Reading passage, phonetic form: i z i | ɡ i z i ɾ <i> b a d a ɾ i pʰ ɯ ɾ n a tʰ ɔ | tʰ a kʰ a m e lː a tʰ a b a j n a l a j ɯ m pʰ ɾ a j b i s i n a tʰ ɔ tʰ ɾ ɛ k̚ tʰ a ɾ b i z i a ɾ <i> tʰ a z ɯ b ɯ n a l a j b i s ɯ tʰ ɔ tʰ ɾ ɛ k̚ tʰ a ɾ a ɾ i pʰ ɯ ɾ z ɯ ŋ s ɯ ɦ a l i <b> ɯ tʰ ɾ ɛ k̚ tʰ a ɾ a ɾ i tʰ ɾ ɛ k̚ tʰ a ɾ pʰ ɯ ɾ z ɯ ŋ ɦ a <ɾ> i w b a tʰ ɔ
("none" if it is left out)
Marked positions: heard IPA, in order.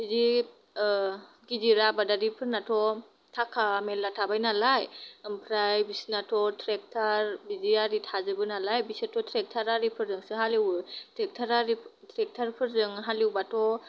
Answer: a, i, w, l

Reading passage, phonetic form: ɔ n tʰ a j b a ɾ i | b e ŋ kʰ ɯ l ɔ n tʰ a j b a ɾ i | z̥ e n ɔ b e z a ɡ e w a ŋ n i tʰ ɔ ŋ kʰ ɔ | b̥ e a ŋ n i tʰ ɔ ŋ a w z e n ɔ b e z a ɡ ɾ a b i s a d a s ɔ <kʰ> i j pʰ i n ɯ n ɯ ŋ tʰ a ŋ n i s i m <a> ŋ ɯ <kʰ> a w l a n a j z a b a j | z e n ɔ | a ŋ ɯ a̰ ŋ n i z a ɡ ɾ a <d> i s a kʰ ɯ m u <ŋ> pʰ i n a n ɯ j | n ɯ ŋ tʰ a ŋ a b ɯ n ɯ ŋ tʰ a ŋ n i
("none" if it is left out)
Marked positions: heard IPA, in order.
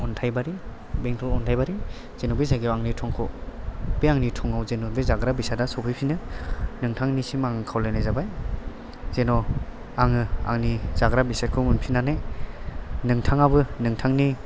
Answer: pʰ, a, kʰ, b, n

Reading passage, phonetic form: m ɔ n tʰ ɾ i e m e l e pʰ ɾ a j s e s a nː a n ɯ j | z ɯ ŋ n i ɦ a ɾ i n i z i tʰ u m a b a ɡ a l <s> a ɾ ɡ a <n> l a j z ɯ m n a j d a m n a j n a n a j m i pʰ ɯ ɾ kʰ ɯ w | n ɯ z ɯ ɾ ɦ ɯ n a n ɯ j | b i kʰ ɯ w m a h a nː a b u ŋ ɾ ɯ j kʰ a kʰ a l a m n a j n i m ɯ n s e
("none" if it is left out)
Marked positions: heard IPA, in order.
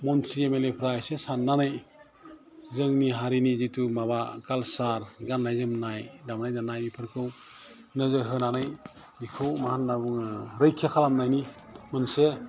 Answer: s, n

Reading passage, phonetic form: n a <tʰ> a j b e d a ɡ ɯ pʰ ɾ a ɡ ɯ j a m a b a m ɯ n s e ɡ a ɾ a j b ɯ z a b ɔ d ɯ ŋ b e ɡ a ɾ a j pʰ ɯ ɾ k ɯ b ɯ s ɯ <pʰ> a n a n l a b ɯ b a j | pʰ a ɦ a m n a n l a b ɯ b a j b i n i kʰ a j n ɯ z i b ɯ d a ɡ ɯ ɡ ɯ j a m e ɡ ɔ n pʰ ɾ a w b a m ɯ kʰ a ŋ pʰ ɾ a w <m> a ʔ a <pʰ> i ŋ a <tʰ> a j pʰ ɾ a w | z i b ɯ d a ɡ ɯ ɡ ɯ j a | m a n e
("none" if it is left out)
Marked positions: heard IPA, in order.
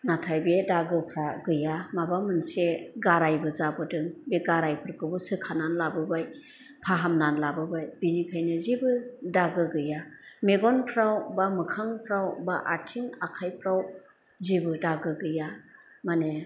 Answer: tʰ, kʰ, b, tʰ, kʰ

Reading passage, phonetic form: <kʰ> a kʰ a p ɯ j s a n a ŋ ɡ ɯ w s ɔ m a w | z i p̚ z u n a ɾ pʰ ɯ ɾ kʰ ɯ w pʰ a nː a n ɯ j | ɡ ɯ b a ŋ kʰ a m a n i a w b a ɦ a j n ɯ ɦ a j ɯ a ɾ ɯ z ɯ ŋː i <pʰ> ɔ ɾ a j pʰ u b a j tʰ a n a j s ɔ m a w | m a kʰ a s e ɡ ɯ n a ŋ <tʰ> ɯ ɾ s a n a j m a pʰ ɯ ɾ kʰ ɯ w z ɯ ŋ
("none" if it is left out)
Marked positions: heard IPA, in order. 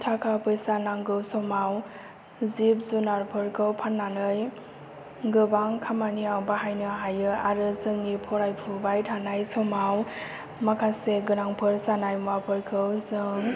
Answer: tʰ, pʰ, pʰ

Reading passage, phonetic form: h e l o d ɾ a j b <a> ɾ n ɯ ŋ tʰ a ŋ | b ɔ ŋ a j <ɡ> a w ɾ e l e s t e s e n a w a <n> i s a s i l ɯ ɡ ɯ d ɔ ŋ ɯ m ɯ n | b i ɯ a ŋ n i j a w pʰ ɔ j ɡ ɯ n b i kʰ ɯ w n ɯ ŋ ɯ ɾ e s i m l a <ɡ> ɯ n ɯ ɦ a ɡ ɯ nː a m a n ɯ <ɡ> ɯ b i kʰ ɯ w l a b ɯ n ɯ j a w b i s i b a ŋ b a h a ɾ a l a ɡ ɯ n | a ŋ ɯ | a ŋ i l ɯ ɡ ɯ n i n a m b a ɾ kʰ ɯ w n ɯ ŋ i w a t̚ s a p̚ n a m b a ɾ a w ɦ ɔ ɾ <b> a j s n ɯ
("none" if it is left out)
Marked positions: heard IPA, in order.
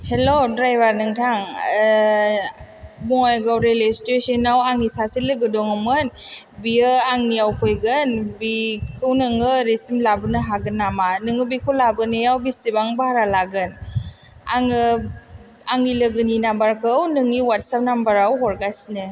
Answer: a, ɡ, ŋ, b, ŋ, ɡ

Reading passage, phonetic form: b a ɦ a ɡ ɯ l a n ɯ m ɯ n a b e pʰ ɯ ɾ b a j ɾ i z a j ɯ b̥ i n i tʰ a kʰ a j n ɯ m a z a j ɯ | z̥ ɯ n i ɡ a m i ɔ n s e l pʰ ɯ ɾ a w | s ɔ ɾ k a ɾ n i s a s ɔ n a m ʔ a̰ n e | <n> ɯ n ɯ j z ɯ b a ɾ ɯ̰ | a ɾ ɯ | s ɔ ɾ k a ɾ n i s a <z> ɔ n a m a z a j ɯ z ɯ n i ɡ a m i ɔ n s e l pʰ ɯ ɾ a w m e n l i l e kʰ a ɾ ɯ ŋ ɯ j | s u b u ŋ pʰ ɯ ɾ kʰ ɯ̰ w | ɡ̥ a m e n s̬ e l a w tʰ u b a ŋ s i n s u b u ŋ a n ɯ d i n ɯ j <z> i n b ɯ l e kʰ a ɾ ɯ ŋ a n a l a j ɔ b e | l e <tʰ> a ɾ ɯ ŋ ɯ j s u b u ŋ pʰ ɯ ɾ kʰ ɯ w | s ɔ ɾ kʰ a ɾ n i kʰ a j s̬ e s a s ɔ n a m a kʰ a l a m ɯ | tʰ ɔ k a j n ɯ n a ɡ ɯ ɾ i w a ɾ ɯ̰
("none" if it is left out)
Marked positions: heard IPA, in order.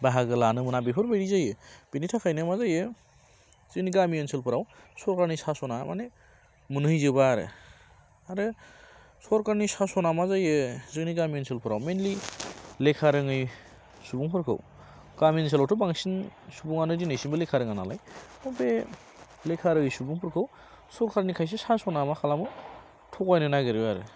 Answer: m, s, s, kʰ

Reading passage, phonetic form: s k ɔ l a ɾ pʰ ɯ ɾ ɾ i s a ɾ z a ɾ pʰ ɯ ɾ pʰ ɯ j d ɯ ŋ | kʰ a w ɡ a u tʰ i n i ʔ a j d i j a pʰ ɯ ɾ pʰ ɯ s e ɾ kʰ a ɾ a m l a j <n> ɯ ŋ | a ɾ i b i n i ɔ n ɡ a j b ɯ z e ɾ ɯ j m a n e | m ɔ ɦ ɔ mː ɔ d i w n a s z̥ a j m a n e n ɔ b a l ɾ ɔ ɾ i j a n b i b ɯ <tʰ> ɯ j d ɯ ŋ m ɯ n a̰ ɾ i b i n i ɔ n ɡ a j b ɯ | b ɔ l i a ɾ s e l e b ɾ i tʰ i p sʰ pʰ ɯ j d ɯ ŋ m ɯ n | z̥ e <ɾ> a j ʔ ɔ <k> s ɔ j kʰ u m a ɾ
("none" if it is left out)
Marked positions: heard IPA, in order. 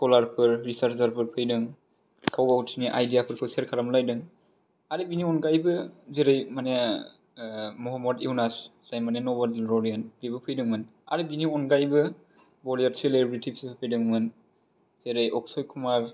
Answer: d, pʰ, ɾ, k

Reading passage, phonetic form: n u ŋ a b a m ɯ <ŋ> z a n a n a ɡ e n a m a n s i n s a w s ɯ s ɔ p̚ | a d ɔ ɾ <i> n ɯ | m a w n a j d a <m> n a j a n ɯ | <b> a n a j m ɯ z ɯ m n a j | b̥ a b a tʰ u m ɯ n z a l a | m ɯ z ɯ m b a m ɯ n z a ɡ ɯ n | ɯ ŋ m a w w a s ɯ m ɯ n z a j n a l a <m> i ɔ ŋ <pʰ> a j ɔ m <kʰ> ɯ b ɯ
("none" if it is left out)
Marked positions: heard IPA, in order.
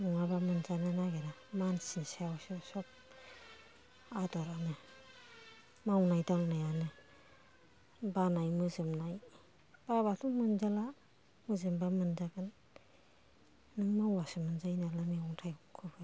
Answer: n, a, ŋ, b, m, tʰ, kʰ

